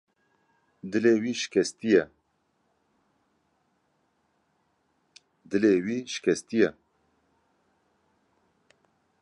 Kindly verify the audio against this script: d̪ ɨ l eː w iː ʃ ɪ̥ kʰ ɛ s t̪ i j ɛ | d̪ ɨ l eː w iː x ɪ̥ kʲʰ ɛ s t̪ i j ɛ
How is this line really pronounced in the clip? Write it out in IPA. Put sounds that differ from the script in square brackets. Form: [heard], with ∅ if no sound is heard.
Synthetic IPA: d̪ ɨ l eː w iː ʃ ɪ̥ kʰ ɛ s t̪ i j ɛ | d̪ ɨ l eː w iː [ʃ] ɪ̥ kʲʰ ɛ s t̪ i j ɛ